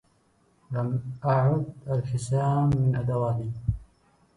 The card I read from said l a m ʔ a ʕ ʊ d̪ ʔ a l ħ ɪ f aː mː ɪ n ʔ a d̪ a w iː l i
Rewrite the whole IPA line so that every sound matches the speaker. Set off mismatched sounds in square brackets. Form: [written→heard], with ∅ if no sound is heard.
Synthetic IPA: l a m ʔ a ʕ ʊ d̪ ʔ a l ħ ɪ [f→s] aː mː ɪ n ʔ a d̪ a w [iː→aː] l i